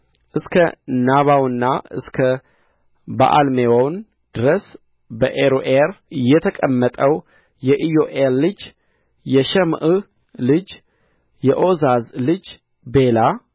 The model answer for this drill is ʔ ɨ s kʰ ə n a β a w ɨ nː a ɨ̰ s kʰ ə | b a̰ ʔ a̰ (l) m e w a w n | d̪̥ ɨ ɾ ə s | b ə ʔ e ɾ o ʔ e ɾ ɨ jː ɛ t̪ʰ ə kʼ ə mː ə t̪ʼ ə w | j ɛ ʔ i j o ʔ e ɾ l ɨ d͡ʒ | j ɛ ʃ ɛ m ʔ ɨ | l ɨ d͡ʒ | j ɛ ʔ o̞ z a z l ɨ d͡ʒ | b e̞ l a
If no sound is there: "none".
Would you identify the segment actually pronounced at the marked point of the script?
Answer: l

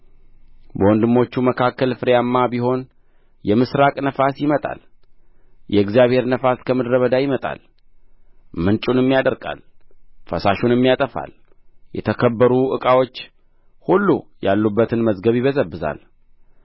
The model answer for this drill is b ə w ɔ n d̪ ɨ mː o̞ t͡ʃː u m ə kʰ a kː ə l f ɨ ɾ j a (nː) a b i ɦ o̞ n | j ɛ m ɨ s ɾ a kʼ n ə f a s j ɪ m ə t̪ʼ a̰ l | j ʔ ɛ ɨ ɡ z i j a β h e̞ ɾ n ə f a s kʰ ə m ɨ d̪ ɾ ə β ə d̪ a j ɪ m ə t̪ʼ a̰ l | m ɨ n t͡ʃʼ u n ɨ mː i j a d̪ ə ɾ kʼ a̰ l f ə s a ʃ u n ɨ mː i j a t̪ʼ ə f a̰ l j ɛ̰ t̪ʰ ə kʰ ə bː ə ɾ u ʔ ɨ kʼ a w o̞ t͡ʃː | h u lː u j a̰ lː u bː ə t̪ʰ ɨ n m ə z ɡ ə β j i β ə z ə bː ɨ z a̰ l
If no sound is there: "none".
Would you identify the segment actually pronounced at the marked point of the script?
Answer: mː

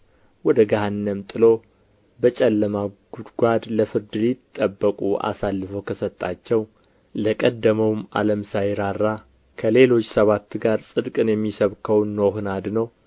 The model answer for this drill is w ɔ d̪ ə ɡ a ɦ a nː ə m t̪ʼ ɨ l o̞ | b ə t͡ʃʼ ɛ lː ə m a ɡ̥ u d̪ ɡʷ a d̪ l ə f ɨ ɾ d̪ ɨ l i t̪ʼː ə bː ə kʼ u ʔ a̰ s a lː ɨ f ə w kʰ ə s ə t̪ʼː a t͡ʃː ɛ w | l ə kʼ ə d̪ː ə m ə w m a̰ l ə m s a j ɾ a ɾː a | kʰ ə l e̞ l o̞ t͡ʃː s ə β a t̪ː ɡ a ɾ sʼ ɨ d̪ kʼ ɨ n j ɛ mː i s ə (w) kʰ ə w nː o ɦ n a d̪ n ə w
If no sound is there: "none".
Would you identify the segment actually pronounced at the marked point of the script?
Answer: β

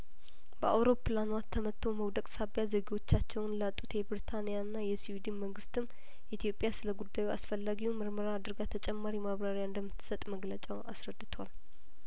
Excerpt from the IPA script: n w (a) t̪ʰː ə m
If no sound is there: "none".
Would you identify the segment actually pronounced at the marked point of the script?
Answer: a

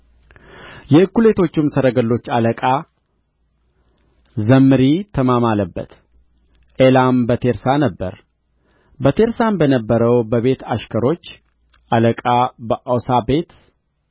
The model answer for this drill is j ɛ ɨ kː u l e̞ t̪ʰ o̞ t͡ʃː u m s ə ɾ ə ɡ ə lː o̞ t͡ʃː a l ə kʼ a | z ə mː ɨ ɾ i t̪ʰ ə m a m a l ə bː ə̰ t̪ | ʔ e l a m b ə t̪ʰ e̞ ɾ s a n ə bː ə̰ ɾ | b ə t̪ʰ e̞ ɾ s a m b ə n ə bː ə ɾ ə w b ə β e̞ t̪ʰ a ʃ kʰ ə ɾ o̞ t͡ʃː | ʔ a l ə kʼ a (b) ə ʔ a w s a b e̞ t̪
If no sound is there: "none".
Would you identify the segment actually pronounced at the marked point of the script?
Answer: b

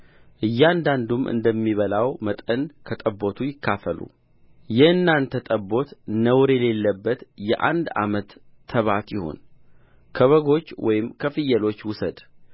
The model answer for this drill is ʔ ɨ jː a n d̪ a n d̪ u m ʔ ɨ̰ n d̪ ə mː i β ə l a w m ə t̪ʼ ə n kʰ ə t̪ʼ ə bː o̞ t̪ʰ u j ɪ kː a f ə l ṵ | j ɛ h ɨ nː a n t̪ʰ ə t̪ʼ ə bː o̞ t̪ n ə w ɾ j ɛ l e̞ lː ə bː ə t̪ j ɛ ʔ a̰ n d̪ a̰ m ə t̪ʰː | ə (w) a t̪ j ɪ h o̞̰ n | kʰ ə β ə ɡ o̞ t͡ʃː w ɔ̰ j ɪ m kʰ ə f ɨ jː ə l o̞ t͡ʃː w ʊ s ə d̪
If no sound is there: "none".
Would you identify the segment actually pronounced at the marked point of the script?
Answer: β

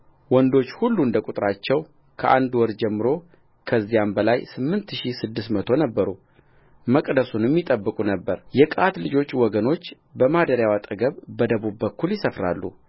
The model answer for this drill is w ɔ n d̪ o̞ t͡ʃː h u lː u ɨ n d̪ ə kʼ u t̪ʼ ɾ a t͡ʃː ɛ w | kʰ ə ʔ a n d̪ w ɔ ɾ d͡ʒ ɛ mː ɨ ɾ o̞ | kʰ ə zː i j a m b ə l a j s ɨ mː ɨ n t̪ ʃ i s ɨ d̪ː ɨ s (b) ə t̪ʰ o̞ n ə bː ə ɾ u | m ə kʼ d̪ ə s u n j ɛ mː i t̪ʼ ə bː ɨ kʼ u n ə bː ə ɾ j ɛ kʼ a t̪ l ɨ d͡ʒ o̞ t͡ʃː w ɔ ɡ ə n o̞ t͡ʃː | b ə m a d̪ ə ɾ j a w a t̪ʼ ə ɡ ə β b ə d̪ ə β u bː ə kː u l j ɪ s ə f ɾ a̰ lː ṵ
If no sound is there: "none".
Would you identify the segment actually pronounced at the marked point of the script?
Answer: m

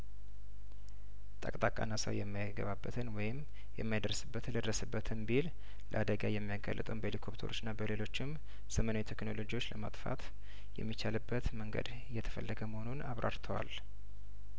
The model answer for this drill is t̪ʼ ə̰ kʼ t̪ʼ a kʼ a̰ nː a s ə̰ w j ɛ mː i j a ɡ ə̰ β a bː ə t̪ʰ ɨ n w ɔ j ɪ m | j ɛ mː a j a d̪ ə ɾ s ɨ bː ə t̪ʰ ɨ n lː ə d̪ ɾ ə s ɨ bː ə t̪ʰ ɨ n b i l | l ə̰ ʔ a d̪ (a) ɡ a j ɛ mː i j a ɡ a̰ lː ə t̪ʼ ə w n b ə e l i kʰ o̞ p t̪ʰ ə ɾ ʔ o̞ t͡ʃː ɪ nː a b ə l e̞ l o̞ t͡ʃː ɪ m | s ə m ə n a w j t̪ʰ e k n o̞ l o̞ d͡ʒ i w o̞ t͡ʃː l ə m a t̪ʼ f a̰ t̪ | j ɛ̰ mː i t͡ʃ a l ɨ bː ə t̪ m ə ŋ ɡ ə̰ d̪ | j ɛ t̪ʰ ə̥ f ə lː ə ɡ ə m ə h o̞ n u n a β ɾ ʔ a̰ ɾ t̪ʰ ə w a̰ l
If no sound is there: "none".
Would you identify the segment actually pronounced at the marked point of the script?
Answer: ə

